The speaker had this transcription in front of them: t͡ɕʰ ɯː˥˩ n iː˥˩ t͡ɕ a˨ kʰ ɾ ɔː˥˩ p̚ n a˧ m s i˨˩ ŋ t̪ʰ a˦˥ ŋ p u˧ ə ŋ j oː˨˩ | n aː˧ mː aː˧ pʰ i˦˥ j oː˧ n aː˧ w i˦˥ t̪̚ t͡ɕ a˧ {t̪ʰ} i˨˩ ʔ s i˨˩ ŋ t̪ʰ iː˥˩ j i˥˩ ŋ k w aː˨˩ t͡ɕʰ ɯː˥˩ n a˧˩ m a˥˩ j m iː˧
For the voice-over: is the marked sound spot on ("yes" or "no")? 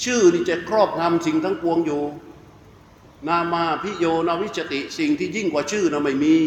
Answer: no